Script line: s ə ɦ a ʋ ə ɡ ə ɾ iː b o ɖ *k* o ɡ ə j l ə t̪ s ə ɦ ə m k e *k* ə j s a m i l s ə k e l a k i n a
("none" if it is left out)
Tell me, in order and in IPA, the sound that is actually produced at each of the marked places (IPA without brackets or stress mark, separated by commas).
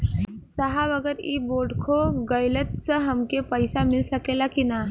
kʰ, p